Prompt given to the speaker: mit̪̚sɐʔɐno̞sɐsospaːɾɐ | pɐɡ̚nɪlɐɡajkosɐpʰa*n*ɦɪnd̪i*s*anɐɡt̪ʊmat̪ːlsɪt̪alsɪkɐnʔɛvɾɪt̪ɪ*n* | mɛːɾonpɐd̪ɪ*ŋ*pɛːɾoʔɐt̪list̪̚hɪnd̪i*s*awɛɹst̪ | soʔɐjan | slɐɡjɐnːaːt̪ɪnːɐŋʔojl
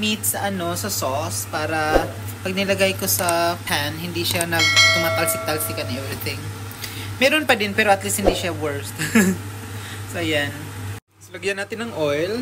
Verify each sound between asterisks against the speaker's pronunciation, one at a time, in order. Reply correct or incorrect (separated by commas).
correct, incorrect, incorrect, incorrect, incorrect